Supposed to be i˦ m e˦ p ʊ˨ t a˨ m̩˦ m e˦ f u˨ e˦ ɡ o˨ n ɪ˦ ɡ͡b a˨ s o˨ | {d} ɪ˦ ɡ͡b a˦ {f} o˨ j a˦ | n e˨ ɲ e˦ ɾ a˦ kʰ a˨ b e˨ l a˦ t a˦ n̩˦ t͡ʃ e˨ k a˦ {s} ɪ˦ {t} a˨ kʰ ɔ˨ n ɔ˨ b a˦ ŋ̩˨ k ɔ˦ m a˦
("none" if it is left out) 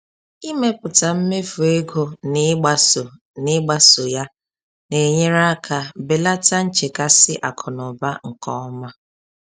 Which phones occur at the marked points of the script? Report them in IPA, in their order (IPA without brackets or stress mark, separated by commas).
n, s, s, ʔ